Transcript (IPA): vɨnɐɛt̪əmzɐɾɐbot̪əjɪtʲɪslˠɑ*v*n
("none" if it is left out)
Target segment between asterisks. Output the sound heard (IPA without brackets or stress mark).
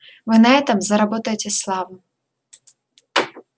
v